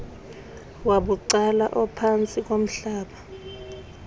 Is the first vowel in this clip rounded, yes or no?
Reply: no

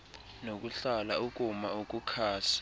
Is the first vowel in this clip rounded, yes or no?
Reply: yes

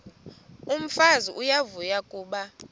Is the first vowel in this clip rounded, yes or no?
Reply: yes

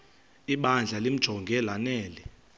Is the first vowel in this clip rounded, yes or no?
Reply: no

